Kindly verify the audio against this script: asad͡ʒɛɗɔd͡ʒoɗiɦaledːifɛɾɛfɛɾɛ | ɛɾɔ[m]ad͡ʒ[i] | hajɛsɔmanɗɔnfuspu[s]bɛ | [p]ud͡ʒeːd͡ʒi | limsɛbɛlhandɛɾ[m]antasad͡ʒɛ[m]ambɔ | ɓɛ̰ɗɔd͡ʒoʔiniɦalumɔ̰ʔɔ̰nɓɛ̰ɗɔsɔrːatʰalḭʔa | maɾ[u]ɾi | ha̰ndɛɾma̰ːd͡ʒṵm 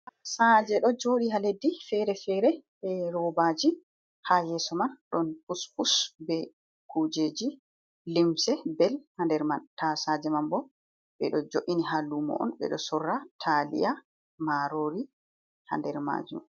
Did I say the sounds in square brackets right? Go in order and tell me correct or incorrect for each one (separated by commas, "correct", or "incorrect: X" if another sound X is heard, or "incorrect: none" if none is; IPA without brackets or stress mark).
incorrect: b, correct, correct, incorrect: k, correct, correct, incorrect: o